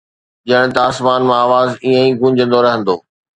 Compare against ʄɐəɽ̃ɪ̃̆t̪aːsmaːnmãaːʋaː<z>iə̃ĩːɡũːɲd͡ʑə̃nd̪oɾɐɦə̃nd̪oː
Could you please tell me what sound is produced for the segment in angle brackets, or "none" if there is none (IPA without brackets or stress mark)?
z